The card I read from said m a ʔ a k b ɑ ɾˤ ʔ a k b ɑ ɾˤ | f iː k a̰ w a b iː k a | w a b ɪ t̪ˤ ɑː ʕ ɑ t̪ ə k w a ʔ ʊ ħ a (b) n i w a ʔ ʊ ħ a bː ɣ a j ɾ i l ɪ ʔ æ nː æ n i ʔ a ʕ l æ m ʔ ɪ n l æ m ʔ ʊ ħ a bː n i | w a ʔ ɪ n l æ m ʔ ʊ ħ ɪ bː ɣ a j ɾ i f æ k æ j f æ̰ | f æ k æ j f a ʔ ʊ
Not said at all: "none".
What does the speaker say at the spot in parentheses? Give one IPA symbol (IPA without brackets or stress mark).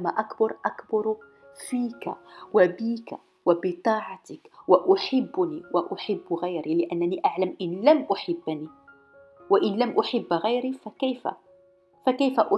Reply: bː